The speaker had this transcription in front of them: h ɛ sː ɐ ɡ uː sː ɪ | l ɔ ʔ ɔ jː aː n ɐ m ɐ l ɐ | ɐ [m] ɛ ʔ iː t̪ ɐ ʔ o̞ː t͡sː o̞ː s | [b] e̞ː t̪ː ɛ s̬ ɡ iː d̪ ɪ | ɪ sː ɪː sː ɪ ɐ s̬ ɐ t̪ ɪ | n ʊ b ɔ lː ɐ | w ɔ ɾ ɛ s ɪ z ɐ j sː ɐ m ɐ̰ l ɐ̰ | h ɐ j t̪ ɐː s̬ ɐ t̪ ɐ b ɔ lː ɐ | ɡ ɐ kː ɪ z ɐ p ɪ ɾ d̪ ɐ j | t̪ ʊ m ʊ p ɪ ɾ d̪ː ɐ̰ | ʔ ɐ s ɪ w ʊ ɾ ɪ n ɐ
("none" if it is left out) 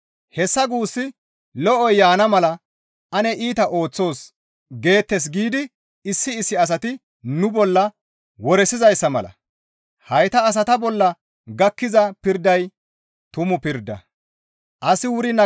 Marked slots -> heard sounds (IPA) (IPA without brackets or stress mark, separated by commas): n, ɡ